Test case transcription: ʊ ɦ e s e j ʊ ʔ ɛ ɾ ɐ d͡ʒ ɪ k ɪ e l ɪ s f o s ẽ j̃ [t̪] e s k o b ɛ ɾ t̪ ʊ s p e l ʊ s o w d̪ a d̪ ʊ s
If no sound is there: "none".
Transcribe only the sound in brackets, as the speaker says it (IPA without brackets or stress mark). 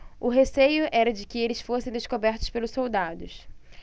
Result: d̪